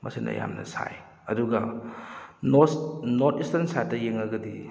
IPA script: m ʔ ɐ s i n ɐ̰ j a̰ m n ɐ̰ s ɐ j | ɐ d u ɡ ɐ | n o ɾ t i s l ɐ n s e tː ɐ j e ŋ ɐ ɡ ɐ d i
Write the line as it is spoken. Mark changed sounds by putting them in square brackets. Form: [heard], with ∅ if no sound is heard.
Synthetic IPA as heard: m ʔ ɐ s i n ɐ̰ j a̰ m n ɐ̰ s [a] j | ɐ d u ɡ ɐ | n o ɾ t i s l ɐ n s [a] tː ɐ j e ŋ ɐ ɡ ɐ d i